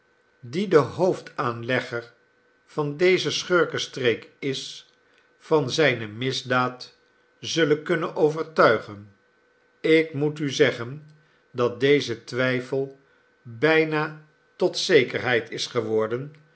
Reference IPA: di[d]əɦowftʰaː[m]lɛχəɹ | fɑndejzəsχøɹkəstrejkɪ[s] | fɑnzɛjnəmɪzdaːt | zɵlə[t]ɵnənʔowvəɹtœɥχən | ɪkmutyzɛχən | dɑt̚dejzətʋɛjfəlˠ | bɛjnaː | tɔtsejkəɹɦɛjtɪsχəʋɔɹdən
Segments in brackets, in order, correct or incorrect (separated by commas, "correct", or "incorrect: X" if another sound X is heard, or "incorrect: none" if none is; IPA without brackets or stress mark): correct, incorrect: n, correct, incorrect: k